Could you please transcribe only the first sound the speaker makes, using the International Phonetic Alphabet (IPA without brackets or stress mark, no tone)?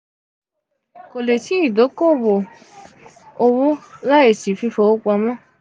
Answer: k